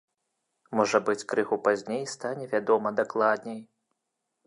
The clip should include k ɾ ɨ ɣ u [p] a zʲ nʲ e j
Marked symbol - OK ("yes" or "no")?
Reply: yes